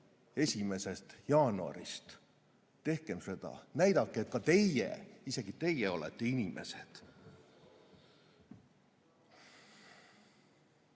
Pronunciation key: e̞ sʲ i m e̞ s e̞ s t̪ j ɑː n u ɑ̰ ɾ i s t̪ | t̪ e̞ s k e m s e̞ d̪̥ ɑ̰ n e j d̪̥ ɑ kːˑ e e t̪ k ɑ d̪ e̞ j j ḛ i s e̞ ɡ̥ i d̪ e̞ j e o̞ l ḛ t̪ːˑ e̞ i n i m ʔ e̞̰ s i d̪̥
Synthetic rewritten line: e̞ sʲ i m e̞ s e̞ s t̪ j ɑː n u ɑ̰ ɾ i s t̪ | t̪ e̞ h k e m s e̞ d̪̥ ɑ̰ n æ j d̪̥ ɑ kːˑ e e t̪ k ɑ t̪ e̞ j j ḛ i s e̞ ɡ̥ i t̪ e̞ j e o̞ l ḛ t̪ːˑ e̞ i n i m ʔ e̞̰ s e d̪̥

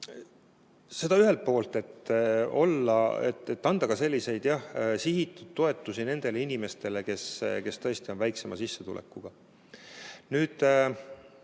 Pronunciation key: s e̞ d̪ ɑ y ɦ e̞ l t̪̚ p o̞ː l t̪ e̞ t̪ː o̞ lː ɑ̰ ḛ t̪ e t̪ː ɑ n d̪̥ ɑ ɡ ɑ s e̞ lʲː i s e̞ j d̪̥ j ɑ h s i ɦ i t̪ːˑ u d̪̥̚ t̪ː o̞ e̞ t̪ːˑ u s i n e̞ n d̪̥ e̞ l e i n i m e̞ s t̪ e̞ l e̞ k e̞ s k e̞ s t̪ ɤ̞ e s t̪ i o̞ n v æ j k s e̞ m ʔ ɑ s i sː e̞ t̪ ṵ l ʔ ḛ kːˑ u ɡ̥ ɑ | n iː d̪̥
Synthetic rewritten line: s e̞ d̪ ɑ y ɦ e̞ l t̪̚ p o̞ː l t̪ e̞ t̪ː o̞ lː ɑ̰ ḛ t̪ e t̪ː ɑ n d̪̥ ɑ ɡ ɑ s e̞ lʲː i s e̞ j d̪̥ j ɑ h s i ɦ i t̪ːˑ u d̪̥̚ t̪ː o̞ e̞ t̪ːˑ u s i n e̞ n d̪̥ e̞ l e i n i m e̞ s t̪ e̞ l e̞ k e̞ s k e̞ s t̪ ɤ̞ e s t̪ i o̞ n v æ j k s e̞ m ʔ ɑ s i sː e̞ t̪ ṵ l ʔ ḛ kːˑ u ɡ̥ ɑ | n yː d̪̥

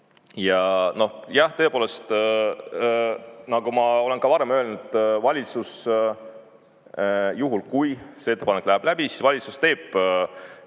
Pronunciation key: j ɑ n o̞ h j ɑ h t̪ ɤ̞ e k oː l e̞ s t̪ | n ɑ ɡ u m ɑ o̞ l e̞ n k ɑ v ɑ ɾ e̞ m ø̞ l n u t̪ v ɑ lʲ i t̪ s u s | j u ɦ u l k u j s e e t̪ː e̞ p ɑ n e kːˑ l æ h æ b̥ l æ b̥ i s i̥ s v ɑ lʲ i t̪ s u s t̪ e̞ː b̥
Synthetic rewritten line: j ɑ n o̞ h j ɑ h t̪ ɤ̞ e p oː l e̞ s t̪ | n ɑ ɡ u m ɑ o̞ l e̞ n k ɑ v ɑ ɾ e̞ m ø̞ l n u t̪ v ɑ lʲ i t̪ s u s | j u ɦ u l k u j s e e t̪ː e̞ p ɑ n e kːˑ l æ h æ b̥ l æ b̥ i s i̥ s v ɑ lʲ i t̪ s u s t̪ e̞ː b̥

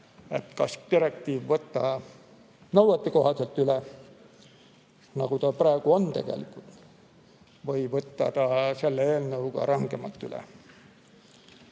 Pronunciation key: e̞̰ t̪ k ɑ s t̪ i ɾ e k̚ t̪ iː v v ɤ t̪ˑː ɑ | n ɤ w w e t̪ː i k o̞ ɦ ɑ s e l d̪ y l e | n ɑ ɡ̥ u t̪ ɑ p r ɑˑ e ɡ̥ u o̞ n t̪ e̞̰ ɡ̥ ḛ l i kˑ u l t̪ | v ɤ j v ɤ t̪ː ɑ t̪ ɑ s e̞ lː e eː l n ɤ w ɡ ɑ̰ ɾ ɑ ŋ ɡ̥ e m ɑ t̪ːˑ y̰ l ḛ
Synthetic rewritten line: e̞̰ t̪ k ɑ s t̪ i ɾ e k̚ t̪ iː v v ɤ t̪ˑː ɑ | n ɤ w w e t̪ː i k o̞ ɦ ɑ s e l t̪ y l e | n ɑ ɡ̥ u t̪ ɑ p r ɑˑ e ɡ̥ u o̞ n t̪ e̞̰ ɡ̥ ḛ l i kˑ u l t̪ | v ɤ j v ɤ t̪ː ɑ t̪ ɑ s e̞ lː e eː l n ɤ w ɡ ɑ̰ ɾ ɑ ŋ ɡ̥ e m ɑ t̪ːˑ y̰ l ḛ

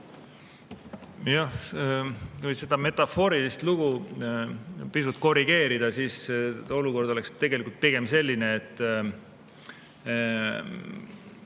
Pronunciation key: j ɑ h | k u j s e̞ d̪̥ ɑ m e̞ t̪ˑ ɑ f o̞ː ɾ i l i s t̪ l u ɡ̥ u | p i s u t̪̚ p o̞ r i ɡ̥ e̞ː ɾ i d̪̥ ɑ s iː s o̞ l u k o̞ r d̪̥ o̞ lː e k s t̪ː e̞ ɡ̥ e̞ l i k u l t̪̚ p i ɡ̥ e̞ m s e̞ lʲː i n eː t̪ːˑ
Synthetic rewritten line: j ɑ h | k u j s e̞ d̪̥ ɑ m e̞ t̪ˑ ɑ f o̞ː ɾ i l i s t̪ l u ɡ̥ u | p i s u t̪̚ k o̞ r i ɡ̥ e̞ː ɾ i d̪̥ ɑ s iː s o̞ l u k o̞ r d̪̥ o̞ l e k s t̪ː e̞ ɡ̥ e̞ l i k u l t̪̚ p i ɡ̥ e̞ m s e̞ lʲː i n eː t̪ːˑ

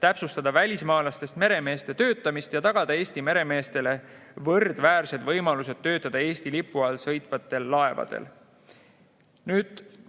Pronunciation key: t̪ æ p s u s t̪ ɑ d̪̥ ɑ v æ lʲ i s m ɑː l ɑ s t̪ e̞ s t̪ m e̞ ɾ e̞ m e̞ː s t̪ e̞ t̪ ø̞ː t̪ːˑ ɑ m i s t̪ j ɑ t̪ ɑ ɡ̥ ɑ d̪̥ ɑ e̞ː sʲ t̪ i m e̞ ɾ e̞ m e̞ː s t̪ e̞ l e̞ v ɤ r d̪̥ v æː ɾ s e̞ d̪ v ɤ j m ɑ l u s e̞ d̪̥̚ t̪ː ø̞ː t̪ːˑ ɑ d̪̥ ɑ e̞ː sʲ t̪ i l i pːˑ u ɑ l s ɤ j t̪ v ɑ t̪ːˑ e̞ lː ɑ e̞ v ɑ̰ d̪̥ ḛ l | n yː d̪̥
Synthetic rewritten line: t̪ æ p s u s t̪ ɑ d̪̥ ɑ v æ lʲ i s m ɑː l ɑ s t̪ e̞ s t̪ m e̞ ɾ e̞ m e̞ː s t̪ e̞ t̪ ø̞ː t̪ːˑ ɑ m i s t̪ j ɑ t̪ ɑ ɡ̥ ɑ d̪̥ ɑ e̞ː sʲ t̪ i m e̞ ɾ e̞ m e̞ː s t̪ e̞ l e̞ v ɤ r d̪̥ v æː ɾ s e̞ d̪ v ɤ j m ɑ l u s e̞ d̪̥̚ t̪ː ø̞ː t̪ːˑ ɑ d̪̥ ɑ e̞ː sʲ t̪ i l i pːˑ u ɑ l s ɤ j t̪ v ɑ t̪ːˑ e̞ lː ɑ e̞ v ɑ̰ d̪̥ ḛ l | n yː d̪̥

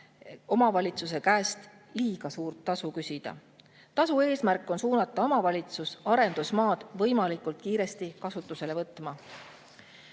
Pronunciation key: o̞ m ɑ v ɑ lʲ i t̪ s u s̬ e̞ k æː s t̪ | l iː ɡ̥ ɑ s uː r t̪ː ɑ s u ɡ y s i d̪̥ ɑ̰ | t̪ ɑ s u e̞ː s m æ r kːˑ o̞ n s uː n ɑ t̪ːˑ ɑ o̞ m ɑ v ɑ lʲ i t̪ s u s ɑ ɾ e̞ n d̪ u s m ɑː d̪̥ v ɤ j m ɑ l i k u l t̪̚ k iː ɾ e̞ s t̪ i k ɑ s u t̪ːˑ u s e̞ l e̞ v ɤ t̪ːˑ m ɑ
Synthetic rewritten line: o̞ m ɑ v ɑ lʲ i t̪ s u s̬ e̞ k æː s t̪ | l iː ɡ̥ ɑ s uː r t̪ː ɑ s u k y s i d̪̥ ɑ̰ | t̪ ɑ s u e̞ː s m æ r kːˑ o̞ n s uː n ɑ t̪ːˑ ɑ o̞ m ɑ v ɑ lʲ i t̪ s u s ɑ ɾ e̞ n d̪ u s m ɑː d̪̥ v ɤ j m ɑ l i k u l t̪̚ k iː ɾ e̞ s t̪ i k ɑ s u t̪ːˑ u s e̞ l e̞ v ɤ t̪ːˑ m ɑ

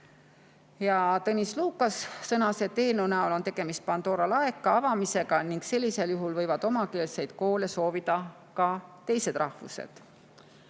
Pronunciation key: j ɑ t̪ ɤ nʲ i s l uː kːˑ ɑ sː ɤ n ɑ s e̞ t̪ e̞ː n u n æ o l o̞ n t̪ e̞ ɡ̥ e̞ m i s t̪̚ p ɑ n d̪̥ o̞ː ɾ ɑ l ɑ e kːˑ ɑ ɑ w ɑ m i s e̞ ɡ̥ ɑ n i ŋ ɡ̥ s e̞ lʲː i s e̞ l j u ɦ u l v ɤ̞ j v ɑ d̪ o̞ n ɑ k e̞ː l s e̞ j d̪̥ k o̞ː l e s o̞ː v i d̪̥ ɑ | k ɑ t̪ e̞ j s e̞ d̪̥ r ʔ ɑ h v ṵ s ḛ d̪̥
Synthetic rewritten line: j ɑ t̪ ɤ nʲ i s l uː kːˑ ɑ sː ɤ n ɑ s e̞ t̪ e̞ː n u n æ o l o̞ n t̪ e̞ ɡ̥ e̞ m i s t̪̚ p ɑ n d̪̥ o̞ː ɾ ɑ l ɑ e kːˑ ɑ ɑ v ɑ m i s e̞ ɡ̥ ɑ n i ŋ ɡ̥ s e̞ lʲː i s e̞ l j u ɦ u l v ɤ̞ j v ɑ d̪ o̞ m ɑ k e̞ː l s e̞ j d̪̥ k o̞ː l e s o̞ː v i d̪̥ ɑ | k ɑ t̪ e̞ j s e̞ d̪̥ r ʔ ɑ h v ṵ s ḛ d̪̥

